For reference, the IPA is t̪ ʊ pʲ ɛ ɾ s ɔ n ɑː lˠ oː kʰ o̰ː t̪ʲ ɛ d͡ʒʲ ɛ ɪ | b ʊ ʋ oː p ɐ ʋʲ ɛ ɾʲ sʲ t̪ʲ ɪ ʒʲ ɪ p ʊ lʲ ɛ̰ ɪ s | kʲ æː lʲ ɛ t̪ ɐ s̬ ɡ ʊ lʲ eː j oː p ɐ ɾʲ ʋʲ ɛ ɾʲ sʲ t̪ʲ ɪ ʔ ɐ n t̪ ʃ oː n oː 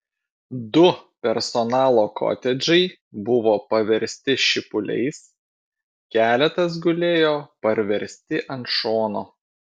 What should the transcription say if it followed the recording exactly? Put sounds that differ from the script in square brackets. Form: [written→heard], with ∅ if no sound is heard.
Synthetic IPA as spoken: [t̪→d̪] ʊ pʲ ɛ ɾ s ɔ n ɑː lˠ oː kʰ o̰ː t̪ʲ ɛ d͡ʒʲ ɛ ɪ | b ʊ ʋ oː p ɐ ʋʲ ɛ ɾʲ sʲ t̪ʲ ɪ [ʒʲ→ʃʲ] ɪ p ʊ lʲ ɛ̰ ɪ s | kʲ æː lʲ ɛ t̪ ɐ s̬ ɡ ʊ lʲ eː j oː p ɐ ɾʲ ʋʲ ɛ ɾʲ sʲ t̪ʲ ɪ ʔ ɐ n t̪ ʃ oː n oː